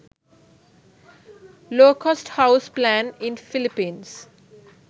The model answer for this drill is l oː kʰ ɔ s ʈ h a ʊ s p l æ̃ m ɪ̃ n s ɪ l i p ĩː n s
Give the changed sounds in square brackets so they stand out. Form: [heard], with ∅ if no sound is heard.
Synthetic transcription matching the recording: l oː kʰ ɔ s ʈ h a ʊ s p l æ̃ [n] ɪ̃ n [f] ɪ l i p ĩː n s